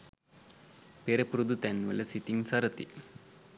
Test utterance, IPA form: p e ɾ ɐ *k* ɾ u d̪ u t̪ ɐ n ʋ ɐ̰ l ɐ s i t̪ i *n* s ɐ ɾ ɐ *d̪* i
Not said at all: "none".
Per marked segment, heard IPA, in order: p, ŋ, t̪

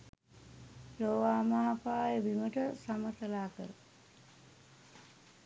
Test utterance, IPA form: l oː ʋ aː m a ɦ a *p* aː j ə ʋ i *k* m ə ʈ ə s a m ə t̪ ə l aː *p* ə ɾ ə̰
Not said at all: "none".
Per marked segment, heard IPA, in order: p, none, k

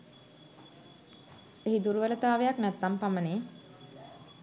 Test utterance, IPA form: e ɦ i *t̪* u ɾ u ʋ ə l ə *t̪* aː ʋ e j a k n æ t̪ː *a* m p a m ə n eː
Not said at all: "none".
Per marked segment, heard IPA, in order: d̪, t̪, a

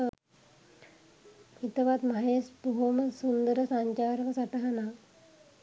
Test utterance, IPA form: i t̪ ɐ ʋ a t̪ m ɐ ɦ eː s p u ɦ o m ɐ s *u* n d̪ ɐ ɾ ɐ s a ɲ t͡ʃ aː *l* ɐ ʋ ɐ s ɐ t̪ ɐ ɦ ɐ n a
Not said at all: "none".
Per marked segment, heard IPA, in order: u, ɾ

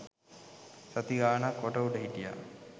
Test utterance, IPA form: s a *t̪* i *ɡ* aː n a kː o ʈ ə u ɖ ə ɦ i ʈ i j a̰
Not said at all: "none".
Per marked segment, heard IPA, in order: t̪, ɡ

